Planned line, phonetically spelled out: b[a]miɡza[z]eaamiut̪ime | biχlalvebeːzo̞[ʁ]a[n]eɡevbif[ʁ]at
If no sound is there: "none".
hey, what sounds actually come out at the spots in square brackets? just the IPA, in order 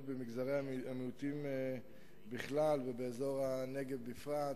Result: e, ʁ, ʁ, n, ʁ

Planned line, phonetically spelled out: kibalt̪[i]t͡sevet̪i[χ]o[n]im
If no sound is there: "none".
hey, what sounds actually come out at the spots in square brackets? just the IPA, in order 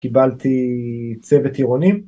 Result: i, ʁ, n

